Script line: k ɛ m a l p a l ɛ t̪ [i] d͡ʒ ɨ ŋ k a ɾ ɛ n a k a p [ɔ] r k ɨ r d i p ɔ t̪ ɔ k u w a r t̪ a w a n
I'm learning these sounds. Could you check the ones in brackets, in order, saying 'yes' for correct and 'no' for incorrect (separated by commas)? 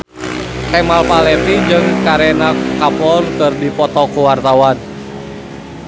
yes, yes